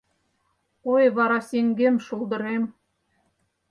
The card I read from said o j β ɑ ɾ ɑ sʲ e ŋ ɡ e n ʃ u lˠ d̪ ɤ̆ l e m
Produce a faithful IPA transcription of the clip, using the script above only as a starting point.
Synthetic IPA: o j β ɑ ɾ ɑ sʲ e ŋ ɡ e m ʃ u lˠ d̪ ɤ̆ ɾ e m